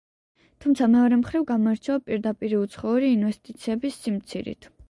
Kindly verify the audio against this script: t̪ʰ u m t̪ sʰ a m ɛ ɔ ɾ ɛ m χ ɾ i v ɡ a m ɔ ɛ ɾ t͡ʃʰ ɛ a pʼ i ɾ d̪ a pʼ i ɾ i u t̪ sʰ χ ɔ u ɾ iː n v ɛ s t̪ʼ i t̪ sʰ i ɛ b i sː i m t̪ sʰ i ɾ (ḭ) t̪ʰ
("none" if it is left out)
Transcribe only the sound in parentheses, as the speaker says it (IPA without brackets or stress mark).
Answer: ḭ